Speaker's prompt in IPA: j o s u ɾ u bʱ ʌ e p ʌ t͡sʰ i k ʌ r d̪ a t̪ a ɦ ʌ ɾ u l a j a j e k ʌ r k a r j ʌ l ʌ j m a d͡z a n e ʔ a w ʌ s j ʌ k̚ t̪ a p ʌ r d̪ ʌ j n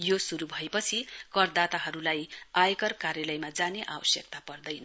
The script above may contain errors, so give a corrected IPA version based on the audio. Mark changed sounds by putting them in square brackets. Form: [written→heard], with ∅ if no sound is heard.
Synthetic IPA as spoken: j o s u ɾ u bʱ ʌ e p ʌ t͡sʰ i k ʌ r d̪ a t̪ a ɦ ʌ ɾ u l a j a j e k ʌ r k a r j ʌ l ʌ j m a d͡z a n e ʔ a w ʌ s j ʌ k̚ t̪ a p ʌ r d̪ ʌ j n